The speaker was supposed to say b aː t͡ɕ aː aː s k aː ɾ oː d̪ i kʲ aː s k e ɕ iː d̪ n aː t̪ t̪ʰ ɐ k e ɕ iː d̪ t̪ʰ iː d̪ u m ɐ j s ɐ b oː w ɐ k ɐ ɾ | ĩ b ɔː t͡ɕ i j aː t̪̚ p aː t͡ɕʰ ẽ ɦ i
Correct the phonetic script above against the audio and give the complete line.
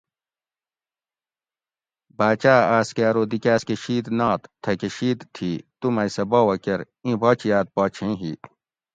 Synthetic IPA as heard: b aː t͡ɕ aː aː s k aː ɾ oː d̪ i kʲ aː s k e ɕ iː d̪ n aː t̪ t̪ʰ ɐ k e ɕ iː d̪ t̪ʰ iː t̪ u m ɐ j s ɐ b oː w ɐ k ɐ ɾ | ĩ b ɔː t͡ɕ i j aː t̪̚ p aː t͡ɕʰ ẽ ɦ i